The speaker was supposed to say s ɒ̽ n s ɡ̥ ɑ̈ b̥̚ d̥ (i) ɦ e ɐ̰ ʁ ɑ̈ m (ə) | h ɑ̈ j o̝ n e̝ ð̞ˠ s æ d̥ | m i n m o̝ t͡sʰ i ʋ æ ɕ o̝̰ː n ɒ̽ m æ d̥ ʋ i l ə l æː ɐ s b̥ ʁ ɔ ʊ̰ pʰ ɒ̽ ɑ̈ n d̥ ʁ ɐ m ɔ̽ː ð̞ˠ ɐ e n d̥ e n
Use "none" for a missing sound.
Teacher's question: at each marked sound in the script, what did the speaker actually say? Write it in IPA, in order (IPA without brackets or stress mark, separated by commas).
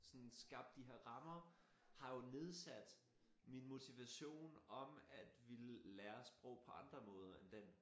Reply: i, ɐ